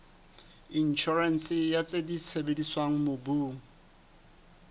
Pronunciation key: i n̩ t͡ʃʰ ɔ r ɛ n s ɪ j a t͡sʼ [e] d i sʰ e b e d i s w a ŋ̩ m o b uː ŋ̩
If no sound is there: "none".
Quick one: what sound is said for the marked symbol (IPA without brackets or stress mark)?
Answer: e